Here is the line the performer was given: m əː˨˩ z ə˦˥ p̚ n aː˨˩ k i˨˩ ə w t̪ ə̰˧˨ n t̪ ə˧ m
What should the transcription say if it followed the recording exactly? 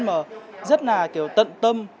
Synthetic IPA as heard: m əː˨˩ z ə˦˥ t̚ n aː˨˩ k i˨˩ ə w t̪ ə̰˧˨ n t̪ ə˧ m